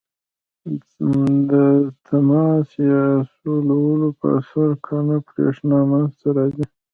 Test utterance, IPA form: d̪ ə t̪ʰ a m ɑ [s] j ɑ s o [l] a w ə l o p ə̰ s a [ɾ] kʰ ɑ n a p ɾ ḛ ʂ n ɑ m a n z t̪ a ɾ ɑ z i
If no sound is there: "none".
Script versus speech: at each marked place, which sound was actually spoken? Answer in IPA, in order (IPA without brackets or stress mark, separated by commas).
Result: s, l, ɾ